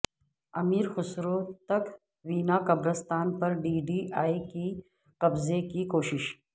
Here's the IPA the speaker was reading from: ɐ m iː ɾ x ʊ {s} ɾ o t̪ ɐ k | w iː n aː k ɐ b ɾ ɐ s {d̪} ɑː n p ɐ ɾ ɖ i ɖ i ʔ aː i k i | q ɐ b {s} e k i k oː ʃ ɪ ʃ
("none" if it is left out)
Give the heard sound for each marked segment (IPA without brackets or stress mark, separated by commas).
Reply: s, t̪, z